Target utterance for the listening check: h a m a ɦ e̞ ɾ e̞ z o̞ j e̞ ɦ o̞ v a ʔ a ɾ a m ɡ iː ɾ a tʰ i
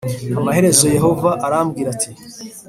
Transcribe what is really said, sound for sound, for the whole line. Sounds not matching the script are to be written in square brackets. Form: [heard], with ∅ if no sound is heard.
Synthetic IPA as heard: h a m a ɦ e̞ ɾ e̞ z o̞ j e̞ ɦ o̞ v a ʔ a ɾ a m ɡ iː ɾ a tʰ i